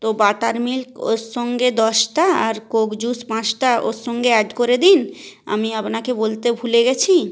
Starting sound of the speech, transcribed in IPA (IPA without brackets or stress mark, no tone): t̪